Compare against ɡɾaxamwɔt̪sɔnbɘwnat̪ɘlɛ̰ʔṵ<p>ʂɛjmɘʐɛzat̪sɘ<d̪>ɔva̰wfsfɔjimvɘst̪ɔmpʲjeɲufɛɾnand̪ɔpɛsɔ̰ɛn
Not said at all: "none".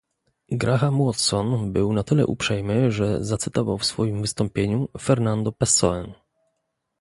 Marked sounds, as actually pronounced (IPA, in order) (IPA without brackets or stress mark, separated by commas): p, t̪